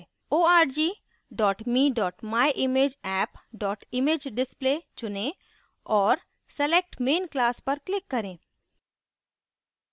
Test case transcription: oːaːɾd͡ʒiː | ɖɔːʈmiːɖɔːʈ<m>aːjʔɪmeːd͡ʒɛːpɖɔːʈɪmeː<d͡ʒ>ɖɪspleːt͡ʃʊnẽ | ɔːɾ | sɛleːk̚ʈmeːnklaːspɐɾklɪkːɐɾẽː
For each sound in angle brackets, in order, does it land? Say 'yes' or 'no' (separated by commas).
yes, yes